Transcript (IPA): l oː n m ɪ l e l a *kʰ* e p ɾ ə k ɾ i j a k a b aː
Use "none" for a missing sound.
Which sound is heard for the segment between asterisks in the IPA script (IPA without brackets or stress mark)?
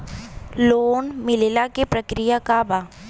k